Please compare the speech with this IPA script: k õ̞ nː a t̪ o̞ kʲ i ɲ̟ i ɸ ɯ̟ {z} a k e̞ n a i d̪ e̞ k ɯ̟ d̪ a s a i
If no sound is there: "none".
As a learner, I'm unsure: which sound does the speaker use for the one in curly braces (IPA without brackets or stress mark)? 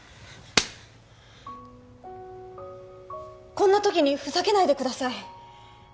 s